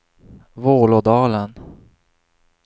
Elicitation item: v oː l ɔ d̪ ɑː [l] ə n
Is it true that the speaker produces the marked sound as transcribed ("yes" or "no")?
yes